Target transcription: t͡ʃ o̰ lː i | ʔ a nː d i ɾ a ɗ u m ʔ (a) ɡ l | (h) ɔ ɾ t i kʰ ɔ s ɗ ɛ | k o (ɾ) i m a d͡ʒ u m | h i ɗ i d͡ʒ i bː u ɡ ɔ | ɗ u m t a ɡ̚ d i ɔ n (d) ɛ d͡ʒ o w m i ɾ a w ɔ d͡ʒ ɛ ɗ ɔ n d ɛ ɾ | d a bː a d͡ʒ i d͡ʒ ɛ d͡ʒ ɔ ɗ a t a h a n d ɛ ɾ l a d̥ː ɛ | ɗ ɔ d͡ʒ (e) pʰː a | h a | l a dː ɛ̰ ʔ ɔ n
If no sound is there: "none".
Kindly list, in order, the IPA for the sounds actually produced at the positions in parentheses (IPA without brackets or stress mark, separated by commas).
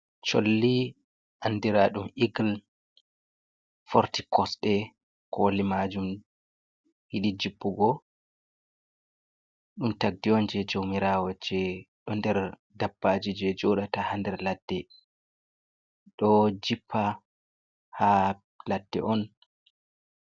i, f, l, d͡ʒ, i